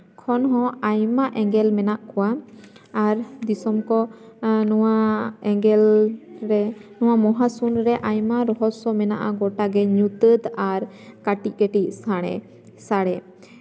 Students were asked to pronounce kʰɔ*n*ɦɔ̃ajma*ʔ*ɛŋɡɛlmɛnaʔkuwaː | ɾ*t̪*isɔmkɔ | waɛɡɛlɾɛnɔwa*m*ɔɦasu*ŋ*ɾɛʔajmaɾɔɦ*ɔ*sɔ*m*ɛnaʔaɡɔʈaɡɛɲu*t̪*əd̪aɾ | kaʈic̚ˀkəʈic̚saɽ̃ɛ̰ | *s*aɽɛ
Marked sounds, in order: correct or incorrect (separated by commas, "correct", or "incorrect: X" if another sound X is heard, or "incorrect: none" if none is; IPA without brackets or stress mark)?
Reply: correct, correct, incorrect: d̪, correct, incorrect: n, correct, correct, correct, correct